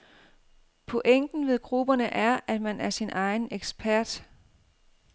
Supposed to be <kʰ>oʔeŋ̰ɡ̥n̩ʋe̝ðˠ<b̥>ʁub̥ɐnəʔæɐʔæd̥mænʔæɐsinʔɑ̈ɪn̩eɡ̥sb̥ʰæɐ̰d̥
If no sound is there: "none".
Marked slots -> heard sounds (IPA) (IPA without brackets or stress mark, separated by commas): pʰ, ɡ̥